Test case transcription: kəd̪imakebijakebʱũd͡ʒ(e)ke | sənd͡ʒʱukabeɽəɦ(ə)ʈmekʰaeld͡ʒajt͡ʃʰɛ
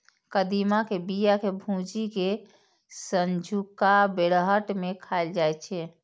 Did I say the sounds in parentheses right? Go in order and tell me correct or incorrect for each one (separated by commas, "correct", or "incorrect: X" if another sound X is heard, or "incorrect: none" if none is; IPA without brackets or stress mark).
incorrect: i, correct